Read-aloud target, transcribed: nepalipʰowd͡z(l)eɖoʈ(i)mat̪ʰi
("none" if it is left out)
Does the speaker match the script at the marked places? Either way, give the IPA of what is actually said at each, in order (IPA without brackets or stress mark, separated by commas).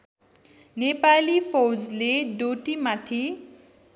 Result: l, i